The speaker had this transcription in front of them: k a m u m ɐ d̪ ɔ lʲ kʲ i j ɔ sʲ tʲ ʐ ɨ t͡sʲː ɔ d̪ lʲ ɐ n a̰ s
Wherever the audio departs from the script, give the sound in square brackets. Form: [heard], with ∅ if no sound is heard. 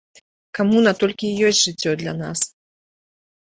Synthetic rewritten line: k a m u [n] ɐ [t̪] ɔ lʲ kʲ i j ɔ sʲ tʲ ʐ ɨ t͡sʲː ɔ d̪ lʲ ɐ n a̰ s